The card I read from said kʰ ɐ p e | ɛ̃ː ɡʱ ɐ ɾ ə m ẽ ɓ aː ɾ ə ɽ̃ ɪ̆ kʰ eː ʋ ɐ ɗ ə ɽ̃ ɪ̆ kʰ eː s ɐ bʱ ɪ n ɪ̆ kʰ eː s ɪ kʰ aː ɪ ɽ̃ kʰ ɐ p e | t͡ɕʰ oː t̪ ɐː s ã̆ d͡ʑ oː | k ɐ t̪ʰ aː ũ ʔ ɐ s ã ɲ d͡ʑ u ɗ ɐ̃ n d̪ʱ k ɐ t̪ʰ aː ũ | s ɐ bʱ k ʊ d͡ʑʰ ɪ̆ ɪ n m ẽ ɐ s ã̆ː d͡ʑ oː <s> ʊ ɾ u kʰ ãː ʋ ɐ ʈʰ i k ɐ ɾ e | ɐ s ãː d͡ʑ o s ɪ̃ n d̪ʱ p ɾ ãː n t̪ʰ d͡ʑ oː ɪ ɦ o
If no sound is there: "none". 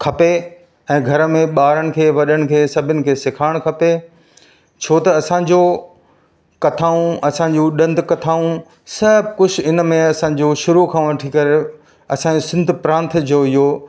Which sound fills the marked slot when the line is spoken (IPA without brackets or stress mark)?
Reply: ʃ